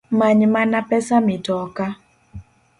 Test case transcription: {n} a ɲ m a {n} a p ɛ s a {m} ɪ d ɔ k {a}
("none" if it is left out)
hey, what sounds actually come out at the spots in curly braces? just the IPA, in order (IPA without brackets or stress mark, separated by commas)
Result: m, n, m, a